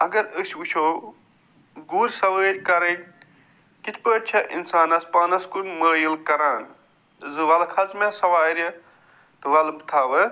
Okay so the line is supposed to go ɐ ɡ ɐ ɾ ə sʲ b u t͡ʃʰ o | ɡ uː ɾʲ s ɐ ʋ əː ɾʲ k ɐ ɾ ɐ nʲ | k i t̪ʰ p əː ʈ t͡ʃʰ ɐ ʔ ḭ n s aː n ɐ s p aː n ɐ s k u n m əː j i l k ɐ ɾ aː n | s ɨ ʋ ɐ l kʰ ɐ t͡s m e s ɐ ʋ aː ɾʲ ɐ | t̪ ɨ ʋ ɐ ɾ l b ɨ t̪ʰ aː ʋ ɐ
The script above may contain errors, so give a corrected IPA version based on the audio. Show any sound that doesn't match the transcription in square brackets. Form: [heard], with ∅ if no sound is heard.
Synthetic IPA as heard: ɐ ɡ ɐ ɾ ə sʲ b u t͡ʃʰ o | ɡ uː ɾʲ s ɐ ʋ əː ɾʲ k ɐ ɾ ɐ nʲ | k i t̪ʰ p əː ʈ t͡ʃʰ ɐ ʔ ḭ n s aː n ɐ s p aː n ɐ s k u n m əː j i l k ɐ ɾ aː n | [z] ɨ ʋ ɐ l kʰ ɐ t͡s m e s ɐ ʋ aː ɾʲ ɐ | t̪ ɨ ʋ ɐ [∅] l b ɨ t̪ʰ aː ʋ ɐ